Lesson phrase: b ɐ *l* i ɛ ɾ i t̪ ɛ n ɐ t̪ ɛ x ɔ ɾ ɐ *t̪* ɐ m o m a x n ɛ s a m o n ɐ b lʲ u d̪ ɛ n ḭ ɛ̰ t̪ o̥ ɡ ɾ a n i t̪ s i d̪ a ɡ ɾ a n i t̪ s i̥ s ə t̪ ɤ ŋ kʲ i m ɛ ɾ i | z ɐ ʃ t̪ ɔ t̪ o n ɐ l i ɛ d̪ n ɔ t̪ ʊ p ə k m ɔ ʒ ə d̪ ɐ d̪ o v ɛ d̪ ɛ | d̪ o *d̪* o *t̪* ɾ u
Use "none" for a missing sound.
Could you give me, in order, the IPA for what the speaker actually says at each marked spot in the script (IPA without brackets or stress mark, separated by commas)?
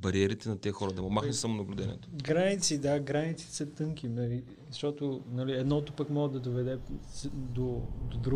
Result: ɾ, d̪, d̪, d̪